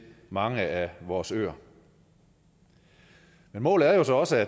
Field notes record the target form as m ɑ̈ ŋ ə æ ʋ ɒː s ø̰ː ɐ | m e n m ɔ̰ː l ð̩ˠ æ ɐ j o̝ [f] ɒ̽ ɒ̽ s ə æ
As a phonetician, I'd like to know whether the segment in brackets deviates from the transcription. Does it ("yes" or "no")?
yes